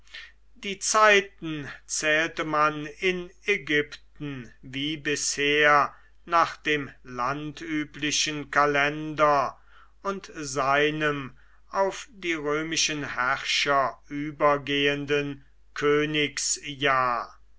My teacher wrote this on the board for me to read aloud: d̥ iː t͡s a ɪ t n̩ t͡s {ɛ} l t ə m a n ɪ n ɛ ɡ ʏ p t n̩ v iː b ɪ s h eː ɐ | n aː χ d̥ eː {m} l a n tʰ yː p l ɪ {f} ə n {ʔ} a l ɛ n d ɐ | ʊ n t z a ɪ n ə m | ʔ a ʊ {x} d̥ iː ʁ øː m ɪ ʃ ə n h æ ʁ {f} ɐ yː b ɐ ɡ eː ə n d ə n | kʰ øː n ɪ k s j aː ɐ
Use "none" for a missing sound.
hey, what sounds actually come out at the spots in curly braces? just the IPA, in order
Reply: ɛː, m, ʃ, k, f, ʃ

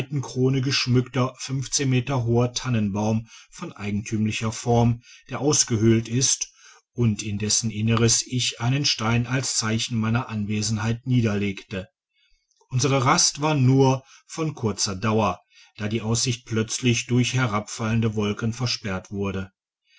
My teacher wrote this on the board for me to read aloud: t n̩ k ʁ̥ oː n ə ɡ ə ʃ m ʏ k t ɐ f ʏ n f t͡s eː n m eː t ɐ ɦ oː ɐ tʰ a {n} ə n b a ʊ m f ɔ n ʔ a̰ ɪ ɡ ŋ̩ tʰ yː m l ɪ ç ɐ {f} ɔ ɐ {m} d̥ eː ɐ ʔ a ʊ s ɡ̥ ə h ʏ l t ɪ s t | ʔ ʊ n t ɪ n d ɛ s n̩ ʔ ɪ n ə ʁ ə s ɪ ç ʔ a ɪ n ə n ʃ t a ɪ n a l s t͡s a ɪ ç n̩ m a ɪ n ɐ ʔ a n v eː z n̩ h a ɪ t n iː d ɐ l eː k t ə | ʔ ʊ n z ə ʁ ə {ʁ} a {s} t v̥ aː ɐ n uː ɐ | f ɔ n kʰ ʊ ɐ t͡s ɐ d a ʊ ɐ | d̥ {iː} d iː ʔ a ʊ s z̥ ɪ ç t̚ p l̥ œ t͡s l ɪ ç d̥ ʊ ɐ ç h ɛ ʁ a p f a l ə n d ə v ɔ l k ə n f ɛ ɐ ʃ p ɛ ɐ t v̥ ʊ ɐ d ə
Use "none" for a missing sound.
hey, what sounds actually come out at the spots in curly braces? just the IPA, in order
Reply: n, f, m, ʁ, s, aː

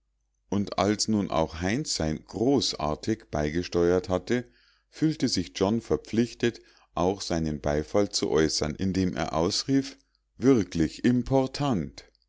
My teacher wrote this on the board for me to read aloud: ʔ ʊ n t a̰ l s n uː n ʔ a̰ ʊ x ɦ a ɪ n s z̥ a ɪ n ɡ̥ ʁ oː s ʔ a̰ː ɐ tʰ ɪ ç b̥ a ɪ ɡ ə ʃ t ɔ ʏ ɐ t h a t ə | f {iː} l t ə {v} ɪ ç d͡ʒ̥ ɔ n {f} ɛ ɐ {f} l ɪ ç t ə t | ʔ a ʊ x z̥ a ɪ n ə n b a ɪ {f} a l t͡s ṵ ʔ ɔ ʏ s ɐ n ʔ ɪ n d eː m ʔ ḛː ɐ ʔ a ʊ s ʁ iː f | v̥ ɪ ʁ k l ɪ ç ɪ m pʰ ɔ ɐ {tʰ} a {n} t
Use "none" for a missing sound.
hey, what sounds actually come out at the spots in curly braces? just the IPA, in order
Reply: yː, z, f, p͡f, f, tʰ, n

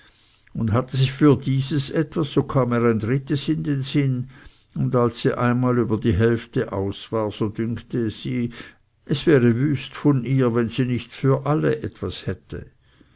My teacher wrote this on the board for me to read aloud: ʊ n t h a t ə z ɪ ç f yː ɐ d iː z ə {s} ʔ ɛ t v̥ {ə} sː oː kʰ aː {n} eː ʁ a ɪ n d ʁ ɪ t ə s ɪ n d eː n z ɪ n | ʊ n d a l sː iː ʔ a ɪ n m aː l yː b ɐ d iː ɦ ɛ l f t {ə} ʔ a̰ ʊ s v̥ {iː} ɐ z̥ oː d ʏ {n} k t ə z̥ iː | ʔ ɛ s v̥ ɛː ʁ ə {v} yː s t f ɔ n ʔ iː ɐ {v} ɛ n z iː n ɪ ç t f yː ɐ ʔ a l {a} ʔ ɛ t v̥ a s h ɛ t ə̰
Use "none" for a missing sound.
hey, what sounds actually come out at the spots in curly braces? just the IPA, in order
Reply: s, a, m, ə, aː, ŋ, v, v, ə

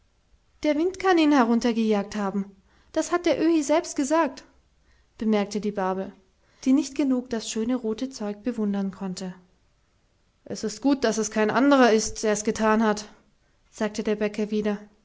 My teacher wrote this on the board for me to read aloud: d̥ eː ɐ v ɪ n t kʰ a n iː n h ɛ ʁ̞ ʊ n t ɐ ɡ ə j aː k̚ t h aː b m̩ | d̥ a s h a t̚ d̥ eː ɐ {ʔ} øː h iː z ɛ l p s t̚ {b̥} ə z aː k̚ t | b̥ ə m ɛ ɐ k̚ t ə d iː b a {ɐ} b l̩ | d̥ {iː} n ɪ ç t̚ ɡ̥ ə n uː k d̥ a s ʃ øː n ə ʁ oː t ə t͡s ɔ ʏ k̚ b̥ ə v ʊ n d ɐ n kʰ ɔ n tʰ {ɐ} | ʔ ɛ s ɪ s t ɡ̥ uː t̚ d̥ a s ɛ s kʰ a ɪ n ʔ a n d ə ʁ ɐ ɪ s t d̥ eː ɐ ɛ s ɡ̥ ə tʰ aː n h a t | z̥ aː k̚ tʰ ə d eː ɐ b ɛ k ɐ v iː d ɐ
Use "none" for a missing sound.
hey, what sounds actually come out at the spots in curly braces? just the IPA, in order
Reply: ʔ, ɡ̥, ɐ, iː, ə

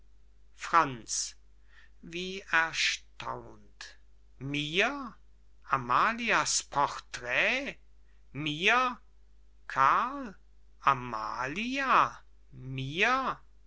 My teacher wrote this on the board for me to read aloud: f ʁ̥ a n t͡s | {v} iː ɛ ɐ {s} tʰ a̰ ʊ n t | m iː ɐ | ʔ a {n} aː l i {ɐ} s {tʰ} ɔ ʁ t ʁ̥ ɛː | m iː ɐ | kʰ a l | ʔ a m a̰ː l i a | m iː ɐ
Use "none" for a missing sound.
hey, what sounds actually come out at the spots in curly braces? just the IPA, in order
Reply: v, ʃ, m, a, pʰ

